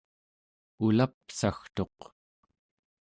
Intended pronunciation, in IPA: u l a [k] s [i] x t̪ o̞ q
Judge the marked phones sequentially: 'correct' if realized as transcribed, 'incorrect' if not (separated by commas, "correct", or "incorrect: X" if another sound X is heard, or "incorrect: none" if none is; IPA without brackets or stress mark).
incorrect: p, incorrect: a